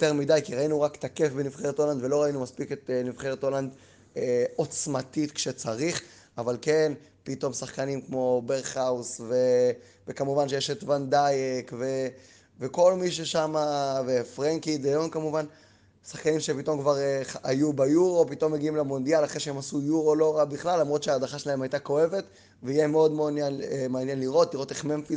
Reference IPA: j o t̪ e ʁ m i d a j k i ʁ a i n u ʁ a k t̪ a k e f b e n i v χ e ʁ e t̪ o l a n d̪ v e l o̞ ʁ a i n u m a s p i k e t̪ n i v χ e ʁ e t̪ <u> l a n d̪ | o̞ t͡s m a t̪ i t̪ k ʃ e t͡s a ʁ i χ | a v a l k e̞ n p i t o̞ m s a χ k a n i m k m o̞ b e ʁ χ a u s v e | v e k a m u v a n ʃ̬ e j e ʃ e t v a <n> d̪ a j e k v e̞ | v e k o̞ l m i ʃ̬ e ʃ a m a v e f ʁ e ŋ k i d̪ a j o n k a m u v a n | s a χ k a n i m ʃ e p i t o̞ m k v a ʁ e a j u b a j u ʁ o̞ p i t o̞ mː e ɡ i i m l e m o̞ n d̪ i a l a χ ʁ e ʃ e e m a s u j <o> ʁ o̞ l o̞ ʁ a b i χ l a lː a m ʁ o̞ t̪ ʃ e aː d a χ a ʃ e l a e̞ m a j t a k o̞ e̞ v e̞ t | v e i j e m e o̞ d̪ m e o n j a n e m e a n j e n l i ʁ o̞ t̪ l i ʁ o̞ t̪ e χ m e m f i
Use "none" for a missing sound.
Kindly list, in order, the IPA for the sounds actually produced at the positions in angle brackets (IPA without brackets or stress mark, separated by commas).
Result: o, n, u